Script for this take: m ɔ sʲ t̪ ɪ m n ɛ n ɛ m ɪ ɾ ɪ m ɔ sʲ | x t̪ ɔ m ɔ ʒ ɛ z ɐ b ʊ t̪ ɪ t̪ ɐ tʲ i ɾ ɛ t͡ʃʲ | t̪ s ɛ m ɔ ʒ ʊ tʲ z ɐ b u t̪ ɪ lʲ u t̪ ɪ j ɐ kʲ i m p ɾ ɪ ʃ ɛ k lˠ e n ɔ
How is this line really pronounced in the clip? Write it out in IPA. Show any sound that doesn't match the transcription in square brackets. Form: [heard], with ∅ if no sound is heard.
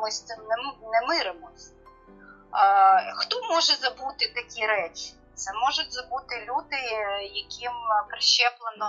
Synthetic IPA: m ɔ sʲ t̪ ɪ m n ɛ n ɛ m ɪ ɾ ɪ m ɔ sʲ | x t̪ ɔ m ɔ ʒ ɛ z ɐ b [u] t̪ ɪ t̪ ɐ [kʲ] i ɾ ɛ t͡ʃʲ | t̪ s ɛ m ɔ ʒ ʊ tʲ z ɐ b u t̪ ɪ lʲ u [d̪] ɪ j ɐ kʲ i m p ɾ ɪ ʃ ɛ [p] lˠ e n ɔ